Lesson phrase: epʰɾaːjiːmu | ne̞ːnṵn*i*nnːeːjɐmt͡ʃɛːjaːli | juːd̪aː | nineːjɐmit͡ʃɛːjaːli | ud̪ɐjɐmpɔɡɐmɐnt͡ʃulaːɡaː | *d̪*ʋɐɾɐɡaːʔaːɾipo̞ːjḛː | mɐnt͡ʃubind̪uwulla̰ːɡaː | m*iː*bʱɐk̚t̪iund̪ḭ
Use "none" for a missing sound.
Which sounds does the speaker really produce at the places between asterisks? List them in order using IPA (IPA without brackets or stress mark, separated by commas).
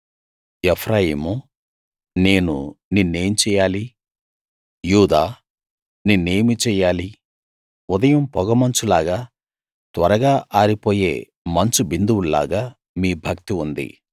i, t̪, iː